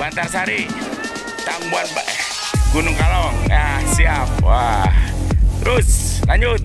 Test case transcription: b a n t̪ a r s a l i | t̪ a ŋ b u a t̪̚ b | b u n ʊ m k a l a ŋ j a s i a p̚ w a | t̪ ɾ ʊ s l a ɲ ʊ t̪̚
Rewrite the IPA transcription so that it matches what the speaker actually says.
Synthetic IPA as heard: b a n t̪ a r s a ɾ i | t̪ a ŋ b u a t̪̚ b | ɡ u n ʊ ŋ k a l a ŋ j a s i a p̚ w a | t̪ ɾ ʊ s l a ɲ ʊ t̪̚